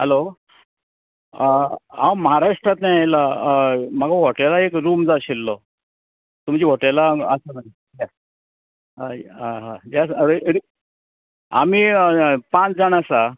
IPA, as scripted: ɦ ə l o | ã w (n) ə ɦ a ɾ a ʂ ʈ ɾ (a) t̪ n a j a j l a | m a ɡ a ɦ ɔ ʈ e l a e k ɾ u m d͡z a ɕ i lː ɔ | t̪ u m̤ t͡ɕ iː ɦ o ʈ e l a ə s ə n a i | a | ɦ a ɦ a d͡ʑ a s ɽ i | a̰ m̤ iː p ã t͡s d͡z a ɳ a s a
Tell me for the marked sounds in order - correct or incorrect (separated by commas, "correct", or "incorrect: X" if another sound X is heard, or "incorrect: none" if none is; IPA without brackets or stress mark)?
incorrect: m, correct